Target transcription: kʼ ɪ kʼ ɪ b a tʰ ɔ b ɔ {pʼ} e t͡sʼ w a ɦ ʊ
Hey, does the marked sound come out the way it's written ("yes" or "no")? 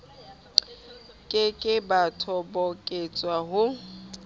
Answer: no